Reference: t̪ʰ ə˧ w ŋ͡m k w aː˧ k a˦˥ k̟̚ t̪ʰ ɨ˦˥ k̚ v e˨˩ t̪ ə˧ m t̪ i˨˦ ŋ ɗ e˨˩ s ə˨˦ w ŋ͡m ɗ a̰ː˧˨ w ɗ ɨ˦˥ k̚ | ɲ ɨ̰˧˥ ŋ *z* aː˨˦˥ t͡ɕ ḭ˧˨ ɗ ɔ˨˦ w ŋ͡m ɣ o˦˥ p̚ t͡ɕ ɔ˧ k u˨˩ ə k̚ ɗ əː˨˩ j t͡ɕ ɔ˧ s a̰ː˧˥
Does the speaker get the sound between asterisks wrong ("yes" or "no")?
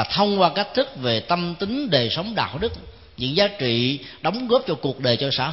no